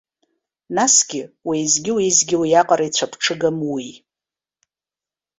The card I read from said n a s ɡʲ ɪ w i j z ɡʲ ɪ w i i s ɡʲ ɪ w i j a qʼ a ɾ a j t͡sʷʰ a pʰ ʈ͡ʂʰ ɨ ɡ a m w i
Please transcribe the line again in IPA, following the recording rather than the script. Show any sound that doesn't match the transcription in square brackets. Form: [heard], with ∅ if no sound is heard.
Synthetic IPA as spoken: n a s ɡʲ ɪ w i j z ɡʲ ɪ w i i [z] ɡʲ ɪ w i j a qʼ a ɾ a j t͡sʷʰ a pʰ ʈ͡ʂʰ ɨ ɡ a m w i